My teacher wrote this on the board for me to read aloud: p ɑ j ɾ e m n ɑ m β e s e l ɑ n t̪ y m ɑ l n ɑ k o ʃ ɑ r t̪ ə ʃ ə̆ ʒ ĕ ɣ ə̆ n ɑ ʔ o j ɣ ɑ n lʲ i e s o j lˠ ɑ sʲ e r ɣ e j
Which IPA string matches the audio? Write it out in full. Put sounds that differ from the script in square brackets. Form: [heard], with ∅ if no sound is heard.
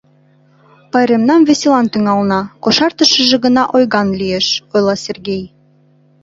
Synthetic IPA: p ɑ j ɾ e m n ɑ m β e s e l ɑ n t̪ y [ŋ] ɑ l n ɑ k o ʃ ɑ r t̪ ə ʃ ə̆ ʒ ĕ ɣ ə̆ n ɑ ʔ o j ɣ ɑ n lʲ i e [ʃ] o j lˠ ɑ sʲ e r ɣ e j